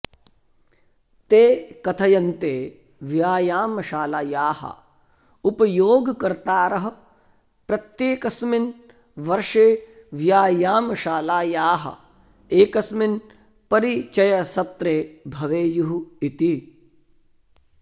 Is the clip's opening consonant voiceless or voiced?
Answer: voiceless